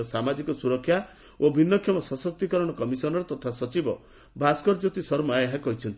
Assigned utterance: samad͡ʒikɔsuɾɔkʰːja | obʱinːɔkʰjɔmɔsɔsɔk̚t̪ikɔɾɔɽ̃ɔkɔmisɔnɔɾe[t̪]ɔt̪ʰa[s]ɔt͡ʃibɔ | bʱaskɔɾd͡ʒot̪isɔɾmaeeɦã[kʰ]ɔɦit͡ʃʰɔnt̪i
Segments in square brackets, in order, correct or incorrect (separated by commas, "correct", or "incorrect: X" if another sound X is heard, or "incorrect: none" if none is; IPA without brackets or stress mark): correct, correct, incorrect: k